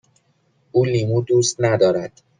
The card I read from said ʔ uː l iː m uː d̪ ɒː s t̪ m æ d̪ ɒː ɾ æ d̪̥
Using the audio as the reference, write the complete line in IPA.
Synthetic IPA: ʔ uː l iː m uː d̪ uː s t̪ n æ d̪ ɒː ɾ æ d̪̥